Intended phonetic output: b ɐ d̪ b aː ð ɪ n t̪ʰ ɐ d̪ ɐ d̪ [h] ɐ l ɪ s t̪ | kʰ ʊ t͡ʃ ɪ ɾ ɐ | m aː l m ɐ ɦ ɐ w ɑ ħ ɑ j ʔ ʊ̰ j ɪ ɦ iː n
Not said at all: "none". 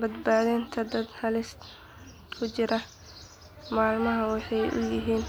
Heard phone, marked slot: h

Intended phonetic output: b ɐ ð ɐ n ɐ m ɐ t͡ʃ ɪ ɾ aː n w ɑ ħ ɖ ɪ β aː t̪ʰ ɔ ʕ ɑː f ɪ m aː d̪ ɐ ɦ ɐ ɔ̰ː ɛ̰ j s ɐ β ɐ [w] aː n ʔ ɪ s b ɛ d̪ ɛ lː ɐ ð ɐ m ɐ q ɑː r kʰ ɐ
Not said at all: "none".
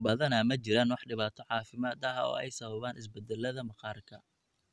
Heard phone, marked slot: β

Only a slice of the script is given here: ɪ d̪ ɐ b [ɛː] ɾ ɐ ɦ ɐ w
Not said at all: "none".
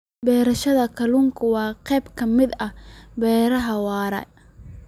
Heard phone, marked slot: ɛː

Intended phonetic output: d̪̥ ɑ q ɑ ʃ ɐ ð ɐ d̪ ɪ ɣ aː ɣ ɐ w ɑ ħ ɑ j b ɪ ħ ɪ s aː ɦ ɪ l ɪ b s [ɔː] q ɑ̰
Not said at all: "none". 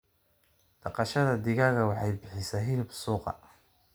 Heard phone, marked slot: uː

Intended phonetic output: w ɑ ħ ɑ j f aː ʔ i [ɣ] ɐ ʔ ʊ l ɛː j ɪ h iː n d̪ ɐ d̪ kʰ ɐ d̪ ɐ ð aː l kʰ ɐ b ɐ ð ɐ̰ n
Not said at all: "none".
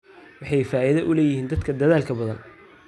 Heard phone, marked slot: ð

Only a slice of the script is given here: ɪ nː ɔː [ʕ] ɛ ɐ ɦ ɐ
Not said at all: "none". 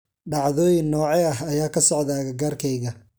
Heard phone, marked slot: ʕ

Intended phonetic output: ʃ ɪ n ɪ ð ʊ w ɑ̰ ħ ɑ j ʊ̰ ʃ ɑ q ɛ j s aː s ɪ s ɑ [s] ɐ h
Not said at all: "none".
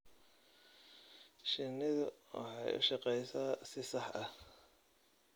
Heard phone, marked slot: ħ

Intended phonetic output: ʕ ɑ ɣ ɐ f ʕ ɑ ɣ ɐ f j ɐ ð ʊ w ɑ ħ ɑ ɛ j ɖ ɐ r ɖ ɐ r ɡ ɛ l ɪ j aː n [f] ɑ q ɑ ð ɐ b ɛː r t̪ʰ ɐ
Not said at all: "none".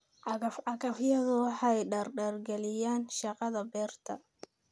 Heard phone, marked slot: ʃ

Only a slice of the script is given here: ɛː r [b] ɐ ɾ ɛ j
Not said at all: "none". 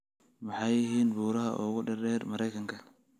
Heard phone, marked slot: m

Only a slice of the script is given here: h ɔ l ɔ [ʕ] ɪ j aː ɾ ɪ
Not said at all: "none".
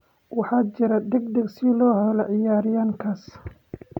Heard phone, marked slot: ʕ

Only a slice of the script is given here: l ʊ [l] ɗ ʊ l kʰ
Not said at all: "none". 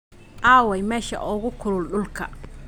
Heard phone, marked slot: l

